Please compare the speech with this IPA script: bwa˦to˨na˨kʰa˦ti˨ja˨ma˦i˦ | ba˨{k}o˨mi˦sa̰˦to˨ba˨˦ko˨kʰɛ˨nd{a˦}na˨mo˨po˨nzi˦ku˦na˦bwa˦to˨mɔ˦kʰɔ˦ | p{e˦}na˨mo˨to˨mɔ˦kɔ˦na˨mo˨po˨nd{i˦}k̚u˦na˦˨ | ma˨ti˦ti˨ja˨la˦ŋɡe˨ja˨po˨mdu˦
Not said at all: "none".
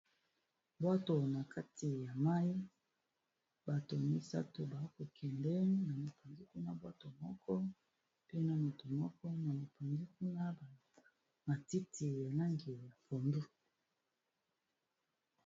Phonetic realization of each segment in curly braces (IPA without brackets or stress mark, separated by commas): t, ɛ˦, e˦, i˦